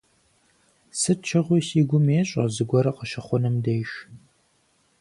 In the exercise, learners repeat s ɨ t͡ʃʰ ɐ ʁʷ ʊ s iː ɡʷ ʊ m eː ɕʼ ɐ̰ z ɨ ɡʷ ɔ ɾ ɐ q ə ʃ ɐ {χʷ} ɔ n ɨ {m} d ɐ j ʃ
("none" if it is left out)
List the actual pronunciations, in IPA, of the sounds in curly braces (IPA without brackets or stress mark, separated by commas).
χʷ, m